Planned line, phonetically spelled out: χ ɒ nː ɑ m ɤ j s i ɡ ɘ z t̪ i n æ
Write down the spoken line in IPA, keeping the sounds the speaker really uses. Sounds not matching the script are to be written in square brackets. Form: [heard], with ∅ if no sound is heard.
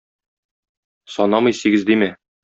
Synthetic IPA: [s] ɒ [n] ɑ m ɤ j s i ɡ ɘ z [d̪] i [m] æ